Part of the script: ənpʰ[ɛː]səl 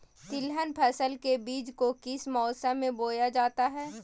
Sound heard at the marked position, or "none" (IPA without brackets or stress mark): ɛː